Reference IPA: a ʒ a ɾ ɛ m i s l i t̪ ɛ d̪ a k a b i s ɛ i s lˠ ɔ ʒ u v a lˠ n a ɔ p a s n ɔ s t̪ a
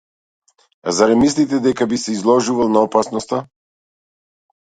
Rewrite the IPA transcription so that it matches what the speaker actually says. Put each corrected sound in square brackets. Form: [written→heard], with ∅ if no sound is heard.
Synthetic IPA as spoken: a [ʒ→z] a ɾ ɛ m i s l i t̪ ɛ d̪ [a→ɛ] k a b i s ɛ i [s→z] lˠ ɔ ʒ u v a lˠ n a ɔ p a s n ɔ s t̪ a